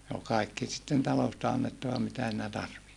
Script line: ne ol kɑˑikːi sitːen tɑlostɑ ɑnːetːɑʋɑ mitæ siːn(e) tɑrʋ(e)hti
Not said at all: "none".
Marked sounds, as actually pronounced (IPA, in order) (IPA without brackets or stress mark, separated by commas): æ, i